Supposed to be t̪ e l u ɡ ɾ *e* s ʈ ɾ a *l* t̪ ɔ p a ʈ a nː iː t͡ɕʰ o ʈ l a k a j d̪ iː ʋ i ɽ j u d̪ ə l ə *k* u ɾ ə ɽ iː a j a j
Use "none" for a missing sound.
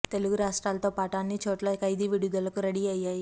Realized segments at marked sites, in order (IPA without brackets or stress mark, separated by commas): a, l, k